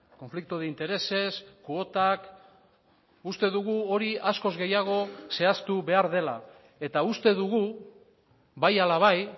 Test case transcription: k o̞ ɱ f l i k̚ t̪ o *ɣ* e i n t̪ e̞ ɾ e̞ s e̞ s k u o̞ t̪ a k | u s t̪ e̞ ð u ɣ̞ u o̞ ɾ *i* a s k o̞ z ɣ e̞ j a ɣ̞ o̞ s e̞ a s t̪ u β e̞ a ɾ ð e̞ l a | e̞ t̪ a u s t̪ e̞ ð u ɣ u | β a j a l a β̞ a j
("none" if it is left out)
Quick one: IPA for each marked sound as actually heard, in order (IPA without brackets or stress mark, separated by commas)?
ð, i